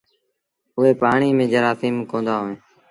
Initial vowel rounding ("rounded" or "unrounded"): rounded